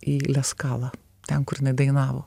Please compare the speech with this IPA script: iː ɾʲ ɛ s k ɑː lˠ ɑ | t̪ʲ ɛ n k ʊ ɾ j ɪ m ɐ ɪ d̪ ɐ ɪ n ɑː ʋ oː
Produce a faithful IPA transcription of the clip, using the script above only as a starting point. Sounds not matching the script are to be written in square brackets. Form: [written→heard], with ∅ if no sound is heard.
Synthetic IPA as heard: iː [ɾʲ→lʲ] ɛ s k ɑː lˠ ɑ | t̪ʲ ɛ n k ʊ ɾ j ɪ [m→n] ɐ ɪ d̪ ɐ ɪ n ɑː ʋ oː